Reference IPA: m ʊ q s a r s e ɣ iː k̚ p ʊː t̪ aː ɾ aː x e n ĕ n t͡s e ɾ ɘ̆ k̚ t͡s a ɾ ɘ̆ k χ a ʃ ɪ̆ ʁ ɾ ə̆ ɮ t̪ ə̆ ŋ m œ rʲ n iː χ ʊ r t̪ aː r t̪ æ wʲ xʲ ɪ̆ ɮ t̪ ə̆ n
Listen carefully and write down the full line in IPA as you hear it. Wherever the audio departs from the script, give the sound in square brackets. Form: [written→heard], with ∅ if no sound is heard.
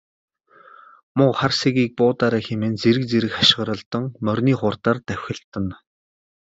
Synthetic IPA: m ʊ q [s→χ] a r s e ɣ iː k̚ p ʊː t̪ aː ɾ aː x e [n→m] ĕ n t͡s e ɾ ɘ̆ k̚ t͡s [a→e] ɾ ɘ̆ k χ a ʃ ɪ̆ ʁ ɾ ə̆ ɮ t̪ ə̆ ŋ m œ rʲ n iː χ ʊ r t̪ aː r t̪ æ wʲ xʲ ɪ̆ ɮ t̪ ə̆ n